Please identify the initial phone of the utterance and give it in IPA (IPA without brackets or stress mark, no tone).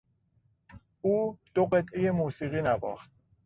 uː